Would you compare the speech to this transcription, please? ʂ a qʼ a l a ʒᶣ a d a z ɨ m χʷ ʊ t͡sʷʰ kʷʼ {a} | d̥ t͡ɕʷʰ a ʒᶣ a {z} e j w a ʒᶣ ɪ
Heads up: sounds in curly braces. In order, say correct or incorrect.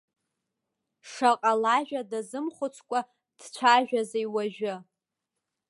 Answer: correct, correct

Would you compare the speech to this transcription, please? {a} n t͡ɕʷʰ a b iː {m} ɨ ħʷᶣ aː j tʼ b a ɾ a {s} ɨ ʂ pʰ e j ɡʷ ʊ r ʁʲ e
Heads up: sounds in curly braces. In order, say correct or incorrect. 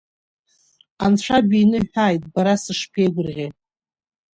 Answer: correct, incorrect, correct

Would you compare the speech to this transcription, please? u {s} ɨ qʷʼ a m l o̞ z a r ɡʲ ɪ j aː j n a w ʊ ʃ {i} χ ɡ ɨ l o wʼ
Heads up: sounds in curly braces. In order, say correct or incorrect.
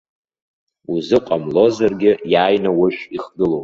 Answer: incorrect, correct

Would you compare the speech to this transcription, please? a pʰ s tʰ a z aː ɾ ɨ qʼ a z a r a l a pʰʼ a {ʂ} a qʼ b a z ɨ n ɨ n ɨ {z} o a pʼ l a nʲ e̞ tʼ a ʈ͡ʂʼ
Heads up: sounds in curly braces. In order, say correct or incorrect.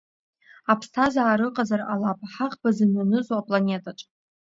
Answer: incorrect, correct

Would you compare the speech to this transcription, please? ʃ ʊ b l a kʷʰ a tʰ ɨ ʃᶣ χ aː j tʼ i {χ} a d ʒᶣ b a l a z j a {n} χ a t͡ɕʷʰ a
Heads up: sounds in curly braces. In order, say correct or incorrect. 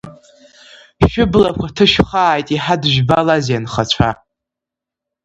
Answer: incorrect, correct

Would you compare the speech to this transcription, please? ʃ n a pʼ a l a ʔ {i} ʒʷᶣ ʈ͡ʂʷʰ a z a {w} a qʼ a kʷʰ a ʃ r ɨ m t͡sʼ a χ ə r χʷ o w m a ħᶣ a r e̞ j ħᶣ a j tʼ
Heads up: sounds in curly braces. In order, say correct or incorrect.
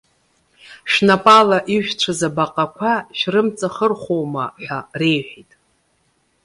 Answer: correct, incorrect

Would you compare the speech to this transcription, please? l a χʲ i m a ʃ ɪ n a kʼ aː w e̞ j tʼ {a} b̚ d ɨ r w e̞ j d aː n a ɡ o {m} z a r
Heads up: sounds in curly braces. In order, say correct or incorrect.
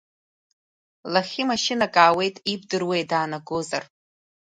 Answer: incorrect, incorrect

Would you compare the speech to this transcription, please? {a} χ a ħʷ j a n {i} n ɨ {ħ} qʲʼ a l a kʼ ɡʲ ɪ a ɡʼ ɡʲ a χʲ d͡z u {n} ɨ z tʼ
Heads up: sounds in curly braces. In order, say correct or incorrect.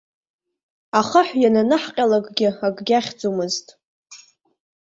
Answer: correct, incorrect, correct, incorrect

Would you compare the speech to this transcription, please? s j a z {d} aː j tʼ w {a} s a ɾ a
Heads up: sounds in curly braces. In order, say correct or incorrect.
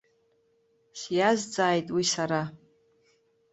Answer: incorrect, incorrect

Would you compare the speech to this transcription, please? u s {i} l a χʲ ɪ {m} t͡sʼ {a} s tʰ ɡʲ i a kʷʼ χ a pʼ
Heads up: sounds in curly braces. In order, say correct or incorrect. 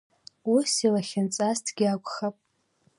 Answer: correct, incorrect, correct

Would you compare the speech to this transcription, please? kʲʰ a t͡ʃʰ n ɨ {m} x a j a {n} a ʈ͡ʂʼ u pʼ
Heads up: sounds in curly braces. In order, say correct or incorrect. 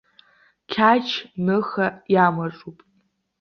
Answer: incorrect, incorrect

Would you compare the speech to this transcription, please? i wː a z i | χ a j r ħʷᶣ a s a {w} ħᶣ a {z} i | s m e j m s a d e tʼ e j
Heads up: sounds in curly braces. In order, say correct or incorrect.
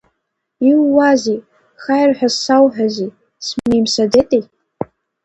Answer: correct, correct

